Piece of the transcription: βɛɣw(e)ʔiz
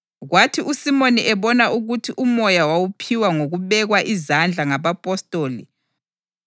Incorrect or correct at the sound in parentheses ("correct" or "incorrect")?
incorrect